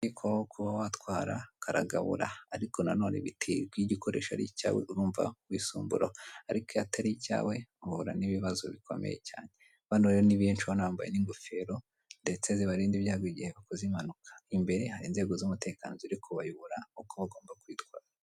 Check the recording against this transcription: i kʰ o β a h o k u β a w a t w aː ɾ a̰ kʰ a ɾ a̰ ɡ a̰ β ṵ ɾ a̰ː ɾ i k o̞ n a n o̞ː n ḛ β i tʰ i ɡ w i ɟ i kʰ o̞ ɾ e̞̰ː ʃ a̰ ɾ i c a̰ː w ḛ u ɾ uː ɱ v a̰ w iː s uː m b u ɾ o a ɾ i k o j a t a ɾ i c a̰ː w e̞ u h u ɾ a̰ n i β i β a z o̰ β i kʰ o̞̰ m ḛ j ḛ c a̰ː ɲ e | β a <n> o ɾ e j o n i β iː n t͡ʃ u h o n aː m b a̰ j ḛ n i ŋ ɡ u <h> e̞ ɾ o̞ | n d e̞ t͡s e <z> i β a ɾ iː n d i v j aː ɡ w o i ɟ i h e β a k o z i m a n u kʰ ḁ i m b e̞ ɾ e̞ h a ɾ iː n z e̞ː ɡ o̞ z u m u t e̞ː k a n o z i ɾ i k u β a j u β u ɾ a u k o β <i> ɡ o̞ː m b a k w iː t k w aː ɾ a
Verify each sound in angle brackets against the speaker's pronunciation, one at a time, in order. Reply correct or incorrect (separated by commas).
correct, incorrect, correct, incorrect